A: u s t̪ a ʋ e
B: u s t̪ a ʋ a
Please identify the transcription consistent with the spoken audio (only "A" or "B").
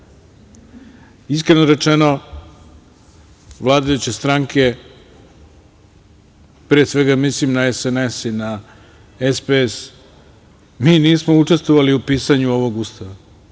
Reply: B